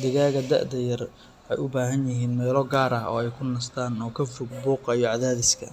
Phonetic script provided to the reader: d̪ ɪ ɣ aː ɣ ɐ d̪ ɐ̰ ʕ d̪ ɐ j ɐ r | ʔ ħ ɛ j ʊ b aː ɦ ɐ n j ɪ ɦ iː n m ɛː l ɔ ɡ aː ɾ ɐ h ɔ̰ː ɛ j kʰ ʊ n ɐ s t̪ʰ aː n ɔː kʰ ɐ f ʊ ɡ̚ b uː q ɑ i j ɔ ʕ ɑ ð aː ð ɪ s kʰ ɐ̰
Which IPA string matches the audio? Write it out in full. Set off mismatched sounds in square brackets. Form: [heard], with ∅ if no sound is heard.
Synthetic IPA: d̪ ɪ ɣ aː ɣ ɐ d̪ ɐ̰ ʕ d̪ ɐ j ɐ r | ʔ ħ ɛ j ʊ b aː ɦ ɐ n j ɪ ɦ iː n m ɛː l ɔ ɡ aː ɾ ɐ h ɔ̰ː ɛ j kʰ ʊ n ɐ s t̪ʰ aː n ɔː kʰ ɐ f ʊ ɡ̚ b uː q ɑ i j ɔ ʕ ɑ ð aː ð ɪ s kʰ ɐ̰